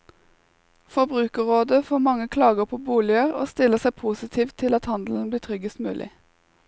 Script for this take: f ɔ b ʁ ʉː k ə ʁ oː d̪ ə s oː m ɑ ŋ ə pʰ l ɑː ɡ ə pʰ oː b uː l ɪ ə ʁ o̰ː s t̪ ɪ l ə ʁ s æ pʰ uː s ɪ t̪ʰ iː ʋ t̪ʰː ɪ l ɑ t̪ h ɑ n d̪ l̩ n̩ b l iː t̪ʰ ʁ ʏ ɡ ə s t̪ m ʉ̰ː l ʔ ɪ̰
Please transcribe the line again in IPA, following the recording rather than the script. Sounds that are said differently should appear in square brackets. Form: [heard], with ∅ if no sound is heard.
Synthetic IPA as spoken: f ɔ b ʁ ʉː k ə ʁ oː d̪ ə [f] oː m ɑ ŋ ə [kʰ] l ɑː ɡ ə pʰ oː b uː l ɪ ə ʁ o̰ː s t̪ ɪ l ə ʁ s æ pʰ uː s ɪ t̪ʰ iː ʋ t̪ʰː ɪ l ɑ t̪ h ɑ n d̪ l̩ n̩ b l iː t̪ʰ ʁ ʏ ɡ ə s t̪ m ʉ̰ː l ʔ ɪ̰